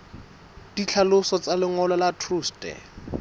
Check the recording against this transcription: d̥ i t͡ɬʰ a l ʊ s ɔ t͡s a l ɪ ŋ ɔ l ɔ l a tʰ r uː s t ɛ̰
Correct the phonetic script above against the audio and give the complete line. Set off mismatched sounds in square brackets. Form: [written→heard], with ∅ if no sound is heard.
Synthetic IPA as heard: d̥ i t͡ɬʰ a l ʊ s ɔ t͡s a l ɪ ŋ ɔ l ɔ l a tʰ r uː s t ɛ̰